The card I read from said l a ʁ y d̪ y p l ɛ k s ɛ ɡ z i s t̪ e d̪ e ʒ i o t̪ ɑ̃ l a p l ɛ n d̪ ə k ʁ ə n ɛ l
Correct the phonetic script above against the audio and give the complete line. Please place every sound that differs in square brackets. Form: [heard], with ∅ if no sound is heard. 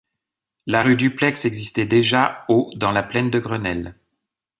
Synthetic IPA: l a ʁ y d̪ y p l ɛ k s ɛ ɡ z i s t̪ [ɛ] d̪ e ʒ [a] o [d̪] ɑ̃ l a p l ɛ n d̪ ə [ɡ] ʁ ə n ɛ l